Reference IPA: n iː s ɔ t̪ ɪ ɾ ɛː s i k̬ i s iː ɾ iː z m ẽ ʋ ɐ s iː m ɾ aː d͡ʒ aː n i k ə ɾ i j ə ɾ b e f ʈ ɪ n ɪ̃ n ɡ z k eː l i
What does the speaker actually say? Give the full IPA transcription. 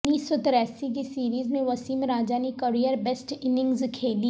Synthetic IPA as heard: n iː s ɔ t̪ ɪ ɾ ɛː s i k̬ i s iː ɾ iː z m ẽ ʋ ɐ s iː m ɾ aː d͡ʒ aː n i k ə ɾ i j ə ɾ b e s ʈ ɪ n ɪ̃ ŋ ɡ z kʰ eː l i